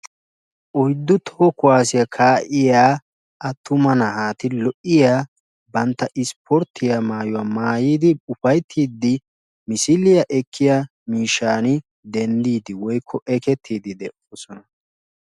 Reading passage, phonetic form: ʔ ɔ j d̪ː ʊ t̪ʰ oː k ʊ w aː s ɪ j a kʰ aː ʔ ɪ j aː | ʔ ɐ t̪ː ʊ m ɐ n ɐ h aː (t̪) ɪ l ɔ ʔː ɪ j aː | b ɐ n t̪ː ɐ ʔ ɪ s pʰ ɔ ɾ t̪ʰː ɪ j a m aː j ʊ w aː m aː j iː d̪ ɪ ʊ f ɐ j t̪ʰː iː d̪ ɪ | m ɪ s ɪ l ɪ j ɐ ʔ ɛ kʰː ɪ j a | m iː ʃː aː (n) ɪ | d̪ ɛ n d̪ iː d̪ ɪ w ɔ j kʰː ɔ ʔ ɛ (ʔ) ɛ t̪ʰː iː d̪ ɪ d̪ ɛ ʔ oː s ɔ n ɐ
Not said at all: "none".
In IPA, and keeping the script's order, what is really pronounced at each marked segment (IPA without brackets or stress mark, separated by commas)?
t̪, n, k